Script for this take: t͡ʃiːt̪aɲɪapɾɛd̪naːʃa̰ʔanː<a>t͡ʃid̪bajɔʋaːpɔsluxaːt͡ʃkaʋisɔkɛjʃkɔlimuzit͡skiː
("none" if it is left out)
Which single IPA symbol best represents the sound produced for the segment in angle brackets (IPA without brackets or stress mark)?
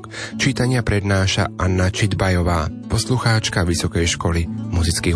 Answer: a